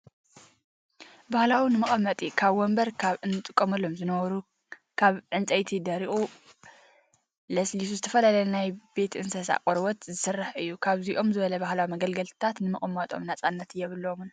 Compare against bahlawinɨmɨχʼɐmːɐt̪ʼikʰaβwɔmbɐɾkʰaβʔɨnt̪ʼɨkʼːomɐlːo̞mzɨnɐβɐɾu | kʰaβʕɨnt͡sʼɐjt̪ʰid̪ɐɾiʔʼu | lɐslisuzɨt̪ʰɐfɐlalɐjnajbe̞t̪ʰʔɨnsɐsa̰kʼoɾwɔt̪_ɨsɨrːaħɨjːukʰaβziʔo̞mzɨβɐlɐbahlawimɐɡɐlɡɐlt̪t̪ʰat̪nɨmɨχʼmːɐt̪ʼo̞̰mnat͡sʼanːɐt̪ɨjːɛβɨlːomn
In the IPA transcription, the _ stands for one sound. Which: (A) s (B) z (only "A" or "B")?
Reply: B